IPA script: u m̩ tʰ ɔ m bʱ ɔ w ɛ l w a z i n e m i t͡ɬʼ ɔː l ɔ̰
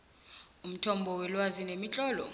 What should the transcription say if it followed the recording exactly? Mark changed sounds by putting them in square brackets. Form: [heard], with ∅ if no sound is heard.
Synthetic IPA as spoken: u m̩ tʰ ɔ m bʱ ɔ w ɛ l w a z i n e m i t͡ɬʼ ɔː l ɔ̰